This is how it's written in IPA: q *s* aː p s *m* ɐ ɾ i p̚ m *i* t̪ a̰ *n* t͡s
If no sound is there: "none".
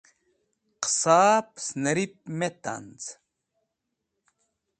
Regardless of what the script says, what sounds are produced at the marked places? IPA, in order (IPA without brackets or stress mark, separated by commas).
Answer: s, n, e, n